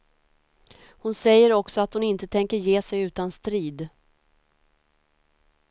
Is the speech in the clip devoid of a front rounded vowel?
yes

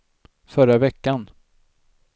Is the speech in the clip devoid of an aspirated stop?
yes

